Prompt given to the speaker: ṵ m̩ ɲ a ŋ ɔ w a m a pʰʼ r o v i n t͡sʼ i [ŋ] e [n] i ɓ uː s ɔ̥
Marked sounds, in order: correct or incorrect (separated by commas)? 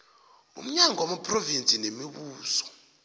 incorrect, incorrect